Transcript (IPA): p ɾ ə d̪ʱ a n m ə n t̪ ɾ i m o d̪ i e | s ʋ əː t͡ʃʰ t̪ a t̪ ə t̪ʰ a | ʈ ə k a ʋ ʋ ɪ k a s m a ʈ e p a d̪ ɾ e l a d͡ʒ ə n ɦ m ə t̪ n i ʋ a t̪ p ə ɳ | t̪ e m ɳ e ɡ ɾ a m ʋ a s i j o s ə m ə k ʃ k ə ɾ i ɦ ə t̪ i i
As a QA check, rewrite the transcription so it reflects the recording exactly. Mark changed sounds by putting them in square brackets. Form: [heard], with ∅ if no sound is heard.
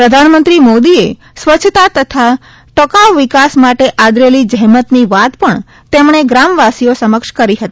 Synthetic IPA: p ɾ ə d̪ʱ a n m ə n t̪ ɾ i m o d̪ i e | s ʋ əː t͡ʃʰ t̪ a t̪ ə t̪ʰ a | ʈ ə k a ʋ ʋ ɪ k a s m a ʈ e [ʔ] a d̪ ɾ e l [i] d͡ʒ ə [∅] ɦ m ə t̪ n i ʋ a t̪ p ə ɳ | t̪ e m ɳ e ɡ ɾ a m ʋ a s i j o s ə m ə k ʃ k ə ɾ i ɦ ə t̪ i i

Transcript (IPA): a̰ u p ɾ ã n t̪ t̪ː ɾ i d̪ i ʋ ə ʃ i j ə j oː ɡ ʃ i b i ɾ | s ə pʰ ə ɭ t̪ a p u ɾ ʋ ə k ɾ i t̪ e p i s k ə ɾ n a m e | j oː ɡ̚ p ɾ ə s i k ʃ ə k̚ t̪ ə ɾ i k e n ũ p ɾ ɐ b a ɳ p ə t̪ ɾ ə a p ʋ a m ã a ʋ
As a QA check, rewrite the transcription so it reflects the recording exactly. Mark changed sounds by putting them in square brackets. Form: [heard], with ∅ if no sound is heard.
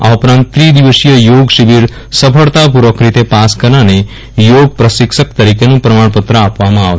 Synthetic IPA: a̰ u p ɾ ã n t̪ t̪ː ɾ i d̪ i ʋ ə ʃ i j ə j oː ɡ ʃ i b i ɾ | s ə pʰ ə ɭ t̪ a p u ɾ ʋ ə k ɾ i t̪ e p [a] s k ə ɾ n a [n] e | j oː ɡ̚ p ɾ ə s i k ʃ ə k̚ t̪ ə ɾ i k e n ũ p ɾ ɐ [m] a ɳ p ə t̪ ɾ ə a p ʋ a m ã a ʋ

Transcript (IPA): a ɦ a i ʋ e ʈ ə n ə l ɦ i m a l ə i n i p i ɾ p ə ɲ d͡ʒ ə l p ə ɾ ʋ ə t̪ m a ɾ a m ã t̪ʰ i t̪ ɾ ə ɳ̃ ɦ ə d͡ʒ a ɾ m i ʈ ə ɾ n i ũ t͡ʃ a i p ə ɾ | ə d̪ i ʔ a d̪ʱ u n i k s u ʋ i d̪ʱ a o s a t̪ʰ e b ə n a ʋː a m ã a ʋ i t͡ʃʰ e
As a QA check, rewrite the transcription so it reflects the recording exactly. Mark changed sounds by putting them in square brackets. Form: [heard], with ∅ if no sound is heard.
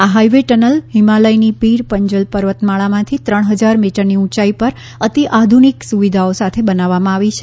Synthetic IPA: a ɦ a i ʋ e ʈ ə n ə l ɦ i m a l ə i n i p i ɾ p ə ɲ d͡ʒ ə l p ə ɾ ʋ ə t̪ m a [ɭ] a m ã t̪ʰ i t̪ ɾ ə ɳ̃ ɦ ə d͡ʒ a ɾ m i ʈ ə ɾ n i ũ t͡ʃ a i p ə ɾ | ə [t̪] i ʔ a d̪ʱ u n i k s u ʋ i d̪ʱ a o s a t̪ʰ e b ə n a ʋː a m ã a ʋ i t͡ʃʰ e

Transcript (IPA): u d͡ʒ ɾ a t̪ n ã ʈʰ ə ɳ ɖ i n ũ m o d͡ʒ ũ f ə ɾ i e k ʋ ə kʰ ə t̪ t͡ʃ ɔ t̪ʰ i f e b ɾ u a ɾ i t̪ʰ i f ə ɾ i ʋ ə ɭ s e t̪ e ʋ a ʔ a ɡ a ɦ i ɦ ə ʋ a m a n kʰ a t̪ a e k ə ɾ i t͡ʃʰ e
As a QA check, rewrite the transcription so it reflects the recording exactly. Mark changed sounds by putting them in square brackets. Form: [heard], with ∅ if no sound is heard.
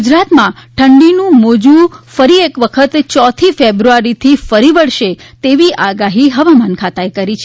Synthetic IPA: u d͡ʒ ɾ a t̪ [m] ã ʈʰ ə ɳ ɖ i n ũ m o d͡ʒ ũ f ə ɾ i e k ʋ ə kʰ ə t̪ t͡ʃ ɔ t̪ʰ i f e b ɾ u a ɾ i t̪ʰ i f ə ɾ i ʋ ə ɭ [ʃ] e t̪ e ʋ [i] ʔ a ɡ a ɦ i ɦ ə ʋ a m a n kʰ a t̪ a e k ə ɾ i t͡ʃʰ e

